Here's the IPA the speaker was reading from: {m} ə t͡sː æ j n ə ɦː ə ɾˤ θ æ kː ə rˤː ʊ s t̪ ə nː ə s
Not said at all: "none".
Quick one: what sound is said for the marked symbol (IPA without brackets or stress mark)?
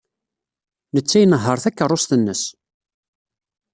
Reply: n